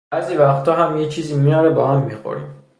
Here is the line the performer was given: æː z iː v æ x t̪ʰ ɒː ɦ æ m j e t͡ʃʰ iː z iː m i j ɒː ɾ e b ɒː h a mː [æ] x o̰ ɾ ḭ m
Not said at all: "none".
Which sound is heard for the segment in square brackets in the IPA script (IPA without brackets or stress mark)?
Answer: i